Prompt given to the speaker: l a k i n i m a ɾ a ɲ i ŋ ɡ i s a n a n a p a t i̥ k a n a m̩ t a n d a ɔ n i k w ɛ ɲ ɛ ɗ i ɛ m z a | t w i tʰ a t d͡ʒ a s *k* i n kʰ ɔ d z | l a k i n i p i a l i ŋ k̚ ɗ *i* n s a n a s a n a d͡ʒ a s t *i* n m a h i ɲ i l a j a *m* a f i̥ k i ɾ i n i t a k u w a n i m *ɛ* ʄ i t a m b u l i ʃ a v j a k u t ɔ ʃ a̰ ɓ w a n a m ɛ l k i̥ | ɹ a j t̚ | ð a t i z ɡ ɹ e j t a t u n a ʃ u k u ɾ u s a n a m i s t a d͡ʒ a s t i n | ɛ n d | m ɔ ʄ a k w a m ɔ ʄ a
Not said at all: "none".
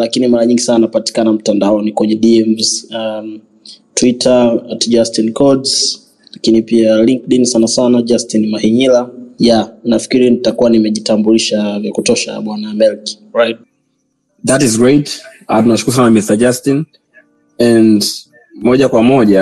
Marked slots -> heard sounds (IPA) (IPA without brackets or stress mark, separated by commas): t, i, i, n, ɛ